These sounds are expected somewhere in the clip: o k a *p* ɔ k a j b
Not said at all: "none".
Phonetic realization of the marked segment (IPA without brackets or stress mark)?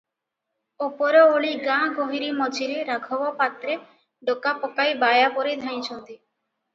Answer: p